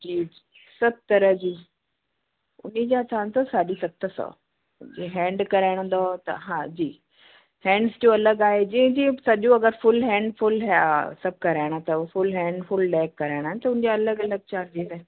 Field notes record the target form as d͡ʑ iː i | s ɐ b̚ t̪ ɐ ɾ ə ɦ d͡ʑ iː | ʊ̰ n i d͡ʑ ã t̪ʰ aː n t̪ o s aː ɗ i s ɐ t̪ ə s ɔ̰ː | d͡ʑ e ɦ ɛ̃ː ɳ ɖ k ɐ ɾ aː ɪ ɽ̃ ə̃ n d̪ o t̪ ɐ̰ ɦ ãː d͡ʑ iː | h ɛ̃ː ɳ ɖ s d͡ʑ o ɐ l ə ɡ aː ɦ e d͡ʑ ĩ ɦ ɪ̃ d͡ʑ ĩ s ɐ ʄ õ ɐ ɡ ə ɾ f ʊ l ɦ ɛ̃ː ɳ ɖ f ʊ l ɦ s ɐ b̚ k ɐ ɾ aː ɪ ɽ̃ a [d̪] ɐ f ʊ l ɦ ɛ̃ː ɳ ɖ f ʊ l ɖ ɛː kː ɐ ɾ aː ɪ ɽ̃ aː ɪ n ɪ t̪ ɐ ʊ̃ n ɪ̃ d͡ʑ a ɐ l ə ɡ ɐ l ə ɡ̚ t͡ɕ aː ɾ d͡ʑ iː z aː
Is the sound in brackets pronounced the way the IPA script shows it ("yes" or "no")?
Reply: no